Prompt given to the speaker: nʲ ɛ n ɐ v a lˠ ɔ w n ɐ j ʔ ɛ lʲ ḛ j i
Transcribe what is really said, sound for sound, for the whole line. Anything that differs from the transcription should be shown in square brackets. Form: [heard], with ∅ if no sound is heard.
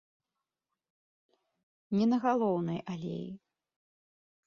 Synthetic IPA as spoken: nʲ ɛ n ɐ [ɣ] a lˠ ɔ w n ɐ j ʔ [a] lʲ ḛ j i